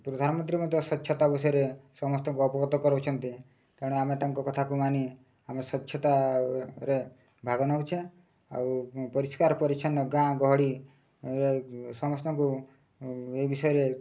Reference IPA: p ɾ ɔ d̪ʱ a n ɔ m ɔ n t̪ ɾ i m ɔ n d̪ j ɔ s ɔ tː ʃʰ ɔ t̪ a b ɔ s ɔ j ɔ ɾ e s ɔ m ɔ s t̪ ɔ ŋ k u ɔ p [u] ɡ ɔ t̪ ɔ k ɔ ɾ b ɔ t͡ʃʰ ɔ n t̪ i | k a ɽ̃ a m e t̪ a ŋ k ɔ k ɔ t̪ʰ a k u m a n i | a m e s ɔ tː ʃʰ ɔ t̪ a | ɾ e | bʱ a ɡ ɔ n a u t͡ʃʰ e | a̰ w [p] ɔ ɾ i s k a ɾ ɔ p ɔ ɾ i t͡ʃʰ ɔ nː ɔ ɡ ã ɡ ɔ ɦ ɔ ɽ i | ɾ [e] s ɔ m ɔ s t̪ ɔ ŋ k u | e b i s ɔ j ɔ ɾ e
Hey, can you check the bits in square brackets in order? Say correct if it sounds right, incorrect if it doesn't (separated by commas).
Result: incorrect, correct, correct